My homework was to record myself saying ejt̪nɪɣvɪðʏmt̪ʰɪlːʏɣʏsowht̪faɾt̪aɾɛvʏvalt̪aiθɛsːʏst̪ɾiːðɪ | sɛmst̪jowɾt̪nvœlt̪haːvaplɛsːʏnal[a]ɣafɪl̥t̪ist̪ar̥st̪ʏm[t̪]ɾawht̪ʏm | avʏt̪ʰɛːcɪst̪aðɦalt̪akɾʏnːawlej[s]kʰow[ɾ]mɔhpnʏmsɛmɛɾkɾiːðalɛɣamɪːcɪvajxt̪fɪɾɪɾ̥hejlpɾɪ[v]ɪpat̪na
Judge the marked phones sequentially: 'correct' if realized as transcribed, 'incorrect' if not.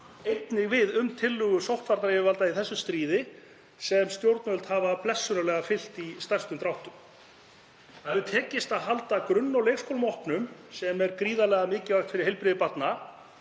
incorrect: ɛ, correct, correct, incorrect: l, incorrect: ð

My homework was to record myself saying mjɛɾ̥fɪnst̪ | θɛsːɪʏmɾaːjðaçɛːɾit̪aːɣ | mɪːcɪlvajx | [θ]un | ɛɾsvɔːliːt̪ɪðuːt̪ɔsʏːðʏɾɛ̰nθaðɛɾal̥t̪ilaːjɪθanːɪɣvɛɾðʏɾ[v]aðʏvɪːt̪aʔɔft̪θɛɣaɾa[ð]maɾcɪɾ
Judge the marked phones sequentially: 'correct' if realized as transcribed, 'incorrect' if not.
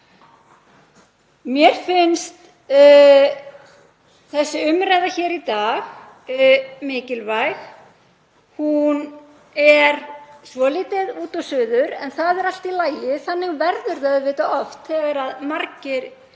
incorrect: h, incorrect: ð, correct

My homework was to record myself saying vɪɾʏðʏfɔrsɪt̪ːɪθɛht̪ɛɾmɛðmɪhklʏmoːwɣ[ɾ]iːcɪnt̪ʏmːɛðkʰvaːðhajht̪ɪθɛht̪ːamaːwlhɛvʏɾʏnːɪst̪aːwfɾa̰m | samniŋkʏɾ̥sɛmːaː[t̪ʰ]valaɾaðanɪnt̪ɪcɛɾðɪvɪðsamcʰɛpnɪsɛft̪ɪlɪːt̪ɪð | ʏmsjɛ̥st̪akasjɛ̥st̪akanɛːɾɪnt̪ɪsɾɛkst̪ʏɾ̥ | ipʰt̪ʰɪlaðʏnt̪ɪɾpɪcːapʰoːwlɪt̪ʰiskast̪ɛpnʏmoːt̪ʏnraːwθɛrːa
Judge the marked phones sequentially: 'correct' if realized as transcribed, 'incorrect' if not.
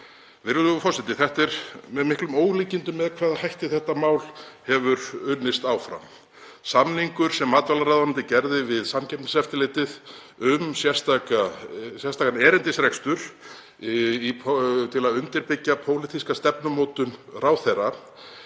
incorrect: l, incorrect: t̪

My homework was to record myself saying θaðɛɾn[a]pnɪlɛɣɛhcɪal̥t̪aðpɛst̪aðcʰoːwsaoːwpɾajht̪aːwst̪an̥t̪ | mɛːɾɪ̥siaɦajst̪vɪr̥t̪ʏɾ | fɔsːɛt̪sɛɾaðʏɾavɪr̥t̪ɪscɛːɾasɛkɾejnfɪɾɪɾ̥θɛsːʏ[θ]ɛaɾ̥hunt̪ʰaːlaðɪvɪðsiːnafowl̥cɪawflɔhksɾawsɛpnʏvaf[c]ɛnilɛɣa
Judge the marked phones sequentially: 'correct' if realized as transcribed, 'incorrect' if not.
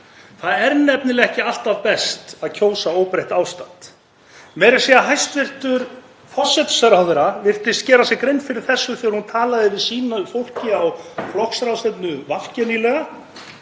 incorrect: ɛ, correct, correct

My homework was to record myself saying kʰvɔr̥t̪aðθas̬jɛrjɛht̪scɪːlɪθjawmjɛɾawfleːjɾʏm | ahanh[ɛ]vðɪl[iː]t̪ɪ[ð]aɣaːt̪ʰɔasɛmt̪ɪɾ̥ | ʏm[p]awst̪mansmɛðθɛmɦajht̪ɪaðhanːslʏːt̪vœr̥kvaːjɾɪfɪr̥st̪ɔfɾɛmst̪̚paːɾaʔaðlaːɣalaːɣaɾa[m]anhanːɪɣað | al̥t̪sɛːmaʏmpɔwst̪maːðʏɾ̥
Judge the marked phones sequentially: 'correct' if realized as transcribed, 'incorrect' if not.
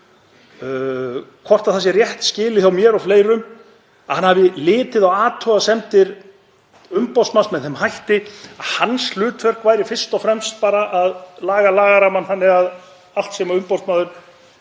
incorrect: a, incorrect: ɪː, correct, correct, correct

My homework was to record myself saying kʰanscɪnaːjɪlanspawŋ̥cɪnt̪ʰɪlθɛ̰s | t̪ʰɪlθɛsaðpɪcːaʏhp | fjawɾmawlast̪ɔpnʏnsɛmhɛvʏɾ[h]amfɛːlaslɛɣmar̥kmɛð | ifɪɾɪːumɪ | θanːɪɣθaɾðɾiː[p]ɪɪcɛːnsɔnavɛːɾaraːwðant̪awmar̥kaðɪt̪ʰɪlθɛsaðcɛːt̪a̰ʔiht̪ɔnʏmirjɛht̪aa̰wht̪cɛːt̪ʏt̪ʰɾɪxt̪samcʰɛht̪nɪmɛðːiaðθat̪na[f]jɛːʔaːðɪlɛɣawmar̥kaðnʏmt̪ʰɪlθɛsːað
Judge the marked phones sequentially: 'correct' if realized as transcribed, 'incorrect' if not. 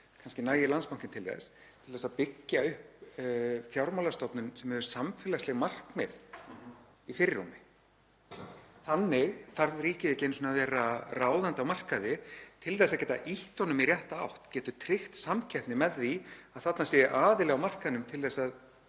incorrect: s, incorrect: c, incorrect: s

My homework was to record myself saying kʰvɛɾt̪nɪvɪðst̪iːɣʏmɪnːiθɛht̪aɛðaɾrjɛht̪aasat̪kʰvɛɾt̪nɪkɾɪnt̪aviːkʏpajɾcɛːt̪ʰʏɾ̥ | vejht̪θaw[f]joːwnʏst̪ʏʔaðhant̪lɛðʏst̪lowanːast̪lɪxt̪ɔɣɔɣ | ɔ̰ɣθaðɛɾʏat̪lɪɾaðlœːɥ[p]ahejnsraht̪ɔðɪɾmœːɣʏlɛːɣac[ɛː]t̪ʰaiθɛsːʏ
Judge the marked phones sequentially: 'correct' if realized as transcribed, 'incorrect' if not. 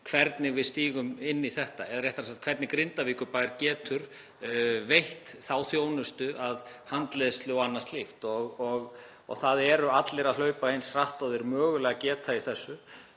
incorrect: θ, correct, correct

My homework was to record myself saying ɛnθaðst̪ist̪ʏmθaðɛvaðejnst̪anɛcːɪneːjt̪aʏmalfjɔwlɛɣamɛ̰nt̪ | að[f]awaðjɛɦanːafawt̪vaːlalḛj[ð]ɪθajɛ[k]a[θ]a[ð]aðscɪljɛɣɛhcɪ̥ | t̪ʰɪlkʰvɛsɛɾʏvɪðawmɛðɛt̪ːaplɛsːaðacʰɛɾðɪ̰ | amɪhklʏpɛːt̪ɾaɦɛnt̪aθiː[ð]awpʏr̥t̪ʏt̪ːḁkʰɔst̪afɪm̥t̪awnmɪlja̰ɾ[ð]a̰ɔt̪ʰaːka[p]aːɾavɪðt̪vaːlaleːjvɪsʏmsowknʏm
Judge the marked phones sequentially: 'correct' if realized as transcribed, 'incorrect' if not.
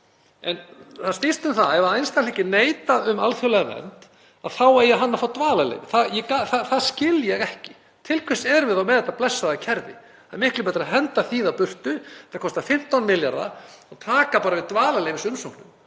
incorrect: θ, incorrect: v, correct, correct, incorrect: θ, correct, correct, correct

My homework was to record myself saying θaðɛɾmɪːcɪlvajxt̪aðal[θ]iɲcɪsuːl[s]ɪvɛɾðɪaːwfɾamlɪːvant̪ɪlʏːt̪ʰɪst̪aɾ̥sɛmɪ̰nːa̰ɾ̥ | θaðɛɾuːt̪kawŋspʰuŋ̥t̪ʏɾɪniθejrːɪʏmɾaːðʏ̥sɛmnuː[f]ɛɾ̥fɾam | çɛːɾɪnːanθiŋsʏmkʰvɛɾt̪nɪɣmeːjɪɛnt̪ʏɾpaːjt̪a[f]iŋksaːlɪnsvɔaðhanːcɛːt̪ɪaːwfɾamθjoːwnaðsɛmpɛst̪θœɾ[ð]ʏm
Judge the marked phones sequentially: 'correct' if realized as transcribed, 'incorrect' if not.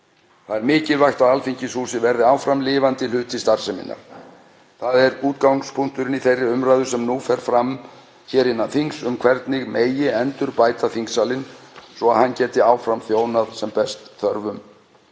incorrect: f, correct, correct, incorrect: θ, incorrect: v

